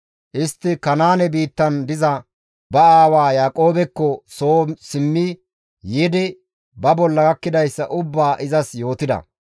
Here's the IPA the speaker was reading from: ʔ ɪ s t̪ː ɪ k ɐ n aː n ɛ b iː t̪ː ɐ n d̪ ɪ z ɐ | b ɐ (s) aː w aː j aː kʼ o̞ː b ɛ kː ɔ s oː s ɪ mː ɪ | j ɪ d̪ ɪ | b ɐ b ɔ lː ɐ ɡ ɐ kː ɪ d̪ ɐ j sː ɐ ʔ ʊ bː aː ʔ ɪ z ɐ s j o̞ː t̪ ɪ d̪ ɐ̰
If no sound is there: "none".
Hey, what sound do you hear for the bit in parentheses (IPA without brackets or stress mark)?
none